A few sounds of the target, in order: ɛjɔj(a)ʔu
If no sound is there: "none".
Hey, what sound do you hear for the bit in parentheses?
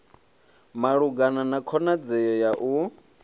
a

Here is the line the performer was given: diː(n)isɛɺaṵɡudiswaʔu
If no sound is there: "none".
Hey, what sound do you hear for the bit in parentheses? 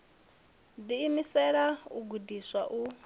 m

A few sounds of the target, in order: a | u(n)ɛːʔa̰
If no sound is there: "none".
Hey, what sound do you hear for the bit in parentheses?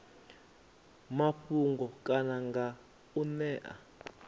n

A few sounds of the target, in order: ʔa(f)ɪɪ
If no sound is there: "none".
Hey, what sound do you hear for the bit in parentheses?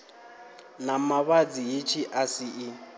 s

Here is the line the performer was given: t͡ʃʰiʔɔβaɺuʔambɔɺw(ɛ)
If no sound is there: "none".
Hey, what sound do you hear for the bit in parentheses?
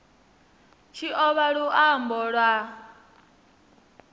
a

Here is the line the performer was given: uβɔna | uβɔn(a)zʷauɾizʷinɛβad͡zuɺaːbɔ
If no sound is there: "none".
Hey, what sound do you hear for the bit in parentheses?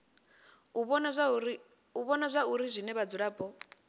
a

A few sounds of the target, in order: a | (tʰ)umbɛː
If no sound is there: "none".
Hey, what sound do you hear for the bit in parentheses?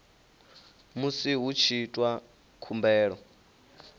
kʰ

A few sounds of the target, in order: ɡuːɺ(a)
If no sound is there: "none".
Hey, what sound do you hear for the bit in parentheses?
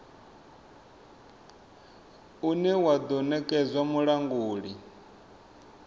i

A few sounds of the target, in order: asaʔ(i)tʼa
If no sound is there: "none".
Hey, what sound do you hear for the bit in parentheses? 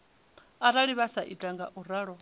i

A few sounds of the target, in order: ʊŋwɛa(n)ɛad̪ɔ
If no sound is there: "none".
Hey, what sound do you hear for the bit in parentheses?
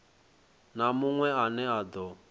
n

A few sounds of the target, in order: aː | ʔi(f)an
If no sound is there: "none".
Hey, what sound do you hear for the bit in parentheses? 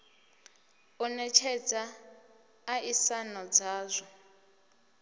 s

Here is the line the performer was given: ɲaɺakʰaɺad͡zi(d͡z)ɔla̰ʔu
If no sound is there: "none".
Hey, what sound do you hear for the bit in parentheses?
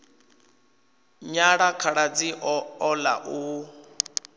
none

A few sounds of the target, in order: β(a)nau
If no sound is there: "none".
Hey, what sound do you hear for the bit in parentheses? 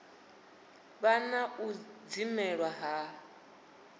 a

